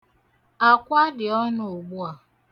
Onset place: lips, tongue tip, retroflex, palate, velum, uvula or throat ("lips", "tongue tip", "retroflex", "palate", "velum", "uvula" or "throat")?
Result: velum